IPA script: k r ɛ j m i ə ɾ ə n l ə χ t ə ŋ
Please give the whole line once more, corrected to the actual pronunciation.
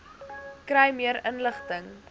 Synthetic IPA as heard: k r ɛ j m i ə ɾ ə n l ə χ t ə ŋ